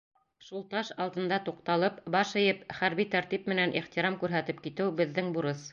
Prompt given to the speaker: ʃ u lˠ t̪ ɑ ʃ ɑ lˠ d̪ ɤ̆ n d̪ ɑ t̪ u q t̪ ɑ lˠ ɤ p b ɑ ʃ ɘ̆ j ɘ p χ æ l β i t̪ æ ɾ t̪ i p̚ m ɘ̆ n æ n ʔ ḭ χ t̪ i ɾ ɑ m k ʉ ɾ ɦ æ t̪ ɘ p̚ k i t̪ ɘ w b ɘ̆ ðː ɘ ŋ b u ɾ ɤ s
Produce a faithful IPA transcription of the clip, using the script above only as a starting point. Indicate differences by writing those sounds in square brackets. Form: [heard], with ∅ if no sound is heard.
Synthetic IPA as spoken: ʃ u lˠ t̪ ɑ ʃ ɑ lˠ d̪ ɤ̆ n d̪ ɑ t̪ u q t̪ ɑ lˠ ɤ p b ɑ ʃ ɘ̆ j ɘ p χ æ [ɾ] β i t̪ æ ɾ t̪ i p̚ m ɘ̆ n æ n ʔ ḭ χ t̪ i ɾ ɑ m k ʉ ɾ ɦ æ t̪ ɘ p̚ k i t̪ ɘ w b ɘ̆ ðː ɘ ŋ b u ɾ ɤ s